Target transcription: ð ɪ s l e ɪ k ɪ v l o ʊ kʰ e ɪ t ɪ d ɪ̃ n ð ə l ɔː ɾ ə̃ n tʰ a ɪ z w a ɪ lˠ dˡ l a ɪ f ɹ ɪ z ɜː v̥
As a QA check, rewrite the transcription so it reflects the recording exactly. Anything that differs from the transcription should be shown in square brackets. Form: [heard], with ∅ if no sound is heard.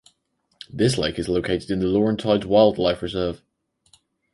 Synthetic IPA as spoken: ð ɪ s l e ɪ k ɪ [z] l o ʊ kʰ e ɪ t ɪ d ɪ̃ n ð ə l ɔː [ɹ] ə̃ n tʰ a ɪ z w a ɪ lˠ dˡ l a ɪ f ɹ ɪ z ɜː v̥